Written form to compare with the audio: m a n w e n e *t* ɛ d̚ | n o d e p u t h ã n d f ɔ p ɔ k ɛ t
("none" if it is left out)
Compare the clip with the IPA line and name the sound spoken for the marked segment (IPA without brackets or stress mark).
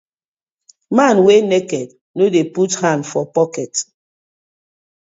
k